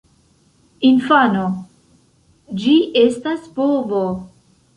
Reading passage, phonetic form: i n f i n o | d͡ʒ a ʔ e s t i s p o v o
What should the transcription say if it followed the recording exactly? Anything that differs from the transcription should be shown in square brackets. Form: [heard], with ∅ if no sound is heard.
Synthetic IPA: i n f [a] n o | d͡ʒ [i] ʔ e s t [a] s p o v o